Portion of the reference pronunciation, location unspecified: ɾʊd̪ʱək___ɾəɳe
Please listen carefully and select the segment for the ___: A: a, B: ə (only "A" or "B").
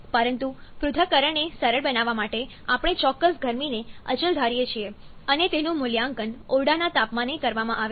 B